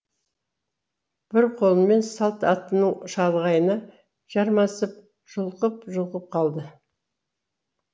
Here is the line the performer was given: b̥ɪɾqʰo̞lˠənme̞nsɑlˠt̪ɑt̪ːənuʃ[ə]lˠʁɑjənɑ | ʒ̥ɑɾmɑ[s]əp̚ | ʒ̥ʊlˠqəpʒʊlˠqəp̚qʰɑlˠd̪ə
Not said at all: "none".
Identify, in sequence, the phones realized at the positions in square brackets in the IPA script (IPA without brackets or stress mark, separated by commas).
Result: ɑ, s